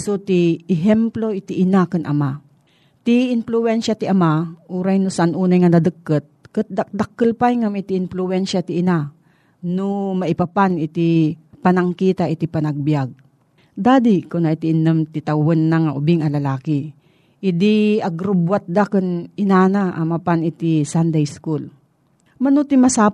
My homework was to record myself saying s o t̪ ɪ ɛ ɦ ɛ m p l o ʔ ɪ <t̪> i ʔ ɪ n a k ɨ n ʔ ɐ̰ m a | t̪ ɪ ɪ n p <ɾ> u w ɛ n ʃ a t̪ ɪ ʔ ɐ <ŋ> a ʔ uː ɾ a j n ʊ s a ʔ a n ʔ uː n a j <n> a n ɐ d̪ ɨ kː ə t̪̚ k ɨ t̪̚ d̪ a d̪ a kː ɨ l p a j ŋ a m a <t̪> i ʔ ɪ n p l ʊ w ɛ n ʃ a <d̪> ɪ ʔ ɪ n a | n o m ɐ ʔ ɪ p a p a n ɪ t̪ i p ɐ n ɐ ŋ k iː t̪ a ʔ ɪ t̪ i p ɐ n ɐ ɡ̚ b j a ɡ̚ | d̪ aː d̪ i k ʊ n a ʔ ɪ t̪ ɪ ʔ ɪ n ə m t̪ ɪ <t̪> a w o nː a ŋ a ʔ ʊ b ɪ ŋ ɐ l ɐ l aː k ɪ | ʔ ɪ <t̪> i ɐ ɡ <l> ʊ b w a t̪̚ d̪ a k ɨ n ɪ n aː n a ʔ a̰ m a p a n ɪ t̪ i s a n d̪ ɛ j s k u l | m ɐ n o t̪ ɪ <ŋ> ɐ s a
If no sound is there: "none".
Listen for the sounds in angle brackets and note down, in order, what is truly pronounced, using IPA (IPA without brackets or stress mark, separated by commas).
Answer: t̪, l, m, ŋ, t̪, t̪, t̪, d̪, ɾ, m